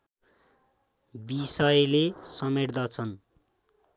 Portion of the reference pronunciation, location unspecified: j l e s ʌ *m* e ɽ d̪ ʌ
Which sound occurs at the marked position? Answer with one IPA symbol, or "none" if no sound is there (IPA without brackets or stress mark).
m